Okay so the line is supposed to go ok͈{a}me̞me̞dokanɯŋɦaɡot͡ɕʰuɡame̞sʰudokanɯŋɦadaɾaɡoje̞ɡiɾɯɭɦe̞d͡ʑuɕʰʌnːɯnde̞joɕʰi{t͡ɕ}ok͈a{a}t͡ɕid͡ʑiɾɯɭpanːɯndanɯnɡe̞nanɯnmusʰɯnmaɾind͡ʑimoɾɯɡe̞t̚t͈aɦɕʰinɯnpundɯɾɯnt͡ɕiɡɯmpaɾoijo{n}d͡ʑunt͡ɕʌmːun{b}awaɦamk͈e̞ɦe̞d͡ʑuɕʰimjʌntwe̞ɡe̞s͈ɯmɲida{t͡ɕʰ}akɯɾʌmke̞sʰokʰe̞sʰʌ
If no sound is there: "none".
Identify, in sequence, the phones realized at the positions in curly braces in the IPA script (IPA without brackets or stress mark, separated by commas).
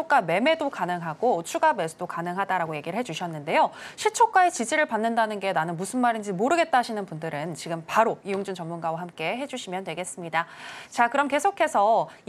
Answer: a, t͡ɕʰ, e, ŋ, ɡ, t͡ɕ